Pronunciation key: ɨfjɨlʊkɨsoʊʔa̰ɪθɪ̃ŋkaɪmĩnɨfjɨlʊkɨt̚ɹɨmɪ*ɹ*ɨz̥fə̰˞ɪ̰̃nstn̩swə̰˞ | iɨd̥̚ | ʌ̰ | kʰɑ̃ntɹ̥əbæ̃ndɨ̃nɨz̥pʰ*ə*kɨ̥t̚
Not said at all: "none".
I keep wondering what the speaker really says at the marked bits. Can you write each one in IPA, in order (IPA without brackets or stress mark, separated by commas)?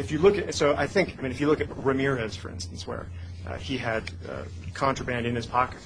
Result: ɹ, ɑ